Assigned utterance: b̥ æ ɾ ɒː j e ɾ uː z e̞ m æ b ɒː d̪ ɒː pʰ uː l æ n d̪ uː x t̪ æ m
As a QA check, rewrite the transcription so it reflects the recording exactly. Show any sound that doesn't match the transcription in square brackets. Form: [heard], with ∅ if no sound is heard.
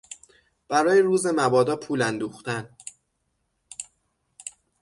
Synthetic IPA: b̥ æ ɾ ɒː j e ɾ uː z e̞ m æ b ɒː d̪ ɒː pʰ uː l æ n d̪ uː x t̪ æ [n]

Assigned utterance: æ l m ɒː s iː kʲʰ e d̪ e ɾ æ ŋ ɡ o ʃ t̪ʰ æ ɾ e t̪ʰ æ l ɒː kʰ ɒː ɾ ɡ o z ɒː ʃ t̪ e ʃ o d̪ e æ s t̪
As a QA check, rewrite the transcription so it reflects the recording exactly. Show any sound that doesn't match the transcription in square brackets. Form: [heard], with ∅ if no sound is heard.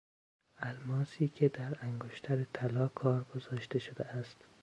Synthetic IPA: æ l m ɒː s iː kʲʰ e d̪ [æ] ɾ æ ŋ ɡ o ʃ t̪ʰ æ ɾ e t̪ʰ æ l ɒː kʰ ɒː ɾ ɡ o z ɒː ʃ t̪ e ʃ o d̪ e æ s t̪

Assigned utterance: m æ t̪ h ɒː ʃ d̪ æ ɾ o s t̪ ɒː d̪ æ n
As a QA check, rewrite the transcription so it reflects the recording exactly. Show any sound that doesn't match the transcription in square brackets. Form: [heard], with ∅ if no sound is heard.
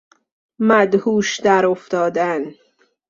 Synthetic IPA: m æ [d̪] h [uː] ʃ d̪ æ ɾ o [f] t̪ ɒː d̪ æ n

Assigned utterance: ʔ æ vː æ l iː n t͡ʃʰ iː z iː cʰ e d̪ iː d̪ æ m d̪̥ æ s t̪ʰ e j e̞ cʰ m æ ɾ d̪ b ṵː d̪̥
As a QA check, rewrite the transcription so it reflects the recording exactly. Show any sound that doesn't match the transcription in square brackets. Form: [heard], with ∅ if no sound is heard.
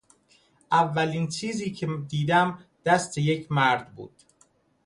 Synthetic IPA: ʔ æ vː æ l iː n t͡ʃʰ iː z iː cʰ e d̪ iː d̪ æ m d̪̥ æ s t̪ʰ e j e̞ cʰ m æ ɾ d̪ b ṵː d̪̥

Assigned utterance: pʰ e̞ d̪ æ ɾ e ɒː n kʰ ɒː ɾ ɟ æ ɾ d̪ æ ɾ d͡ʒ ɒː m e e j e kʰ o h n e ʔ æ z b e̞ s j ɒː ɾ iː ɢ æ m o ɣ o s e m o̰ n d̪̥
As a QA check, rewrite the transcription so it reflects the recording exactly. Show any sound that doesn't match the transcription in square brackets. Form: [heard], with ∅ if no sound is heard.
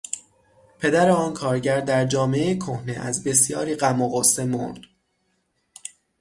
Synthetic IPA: pʰ e̞ d̪ æ ɾ e ɒː n kʰ ɒː ɾ ɟ æ ɾ d̪ æ ɾ d͡ʒ ɒː m e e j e kʰ o h n e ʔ æ z b e̞ s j ɒː ɾ iː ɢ æ m o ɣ o s e m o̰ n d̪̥

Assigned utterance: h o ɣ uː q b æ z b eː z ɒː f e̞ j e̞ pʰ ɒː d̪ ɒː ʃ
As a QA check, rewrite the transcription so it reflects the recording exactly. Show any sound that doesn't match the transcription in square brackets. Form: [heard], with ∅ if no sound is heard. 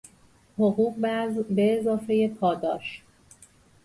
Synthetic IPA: h o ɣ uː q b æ z b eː z ɒː f e̞ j e̞ pʰ ɒː d̪ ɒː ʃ

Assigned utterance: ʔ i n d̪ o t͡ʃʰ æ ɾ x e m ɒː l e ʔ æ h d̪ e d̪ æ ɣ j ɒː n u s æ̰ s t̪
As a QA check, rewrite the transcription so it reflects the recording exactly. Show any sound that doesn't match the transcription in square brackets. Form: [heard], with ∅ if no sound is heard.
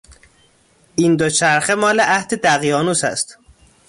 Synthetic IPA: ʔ i n d̪ o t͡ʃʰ æ ɾ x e m ɒː l e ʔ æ h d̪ e d̪ æ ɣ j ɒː n u s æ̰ s t̪

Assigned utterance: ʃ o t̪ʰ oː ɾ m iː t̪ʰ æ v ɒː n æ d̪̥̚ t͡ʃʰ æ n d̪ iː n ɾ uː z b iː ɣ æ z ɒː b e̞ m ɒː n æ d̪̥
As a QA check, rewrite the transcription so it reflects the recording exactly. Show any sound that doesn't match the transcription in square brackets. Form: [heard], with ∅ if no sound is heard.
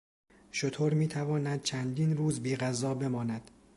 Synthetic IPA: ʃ o t̪ʰ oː ɾ m iː t̪ʰ æ v ɒː n æ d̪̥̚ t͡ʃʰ æ n d̪ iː n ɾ uː z b iː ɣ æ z ɒː b e̞ m ɒː n æ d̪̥

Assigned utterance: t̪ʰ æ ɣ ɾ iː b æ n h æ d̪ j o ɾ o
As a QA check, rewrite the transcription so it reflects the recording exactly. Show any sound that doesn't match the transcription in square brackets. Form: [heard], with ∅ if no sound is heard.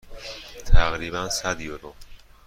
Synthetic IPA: t̪ʰ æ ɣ ɾ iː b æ n [s] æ d̪ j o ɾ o

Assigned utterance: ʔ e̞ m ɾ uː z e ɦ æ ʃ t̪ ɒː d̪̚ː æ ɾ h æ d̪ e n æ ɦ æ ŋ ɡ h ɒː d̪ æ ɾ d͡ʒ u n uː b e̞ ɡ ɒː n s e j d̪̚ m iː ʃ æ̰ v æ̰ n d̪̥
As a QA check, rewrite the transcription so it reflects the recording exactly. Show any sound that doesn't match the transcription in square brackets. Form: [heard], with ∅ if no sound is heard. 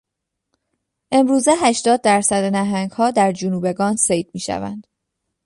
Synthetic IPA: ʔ e̞ m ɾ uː z e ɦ æ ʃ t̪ ɒː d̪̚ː æ ɾ [s] æ d̪ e n æ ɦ æ ŋ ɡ h ɒː d̪ æ ɾ d͡ʒ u n uː b e̞ ɡ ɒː n s e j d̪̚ m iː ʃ æ̰ v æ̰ n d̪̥

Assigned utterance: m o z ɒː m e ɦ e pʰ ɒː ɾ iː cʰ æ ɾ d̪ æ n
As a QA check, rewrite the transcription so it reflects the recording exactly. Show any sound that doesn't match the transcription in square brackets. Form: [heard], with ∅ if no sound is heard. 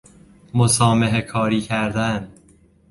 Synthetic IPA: m o [s] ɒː m e ɦ e [kʰ] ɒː ɾ iː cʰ æ ɾ d̪ æ n

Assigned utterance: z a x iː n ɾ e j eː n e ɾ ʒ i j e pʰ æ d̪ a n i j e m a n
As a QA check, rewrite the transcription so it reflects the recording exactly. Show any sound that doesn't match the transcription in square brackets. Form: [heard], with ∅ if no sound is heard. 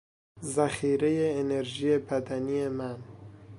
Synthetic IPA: z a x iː [∅] ɾ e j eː n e ɾ ʒ i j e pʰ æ d̪ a n i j e m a n

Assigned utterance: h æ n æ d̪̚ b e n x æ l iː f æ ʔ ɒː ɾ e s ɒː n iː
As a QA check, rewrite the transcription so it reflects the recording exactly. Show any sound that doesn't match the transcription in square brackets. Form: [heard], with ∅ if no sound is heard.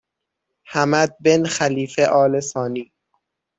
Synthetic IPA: h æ [m] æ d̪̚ b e n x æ l iː f [e] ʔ ɒː [l] e s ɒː n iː

